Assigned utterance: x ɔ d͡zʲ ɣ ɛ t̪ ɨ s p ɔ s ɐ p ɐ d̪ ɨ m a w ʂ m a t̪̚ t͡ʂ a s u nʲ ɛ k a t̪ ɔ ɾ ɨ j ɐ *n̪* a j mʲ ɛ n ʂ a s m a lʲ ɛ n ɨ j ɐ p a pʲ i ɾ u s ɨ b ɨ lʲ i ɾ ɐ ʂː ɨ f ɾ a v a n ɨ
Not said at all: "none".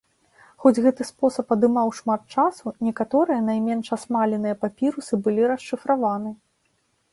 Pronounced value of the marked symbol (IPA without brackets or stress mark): n̪